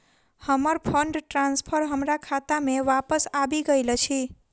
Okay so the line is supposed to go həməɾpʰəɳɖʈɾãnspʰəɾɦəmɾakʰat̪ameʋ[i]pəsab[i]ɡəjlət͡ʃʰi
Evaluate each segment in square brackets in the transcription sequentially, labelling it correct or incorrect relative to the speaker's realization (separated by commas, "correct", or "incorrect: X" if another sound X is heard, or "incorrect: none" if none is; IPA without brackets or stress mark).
incorrect: a, correct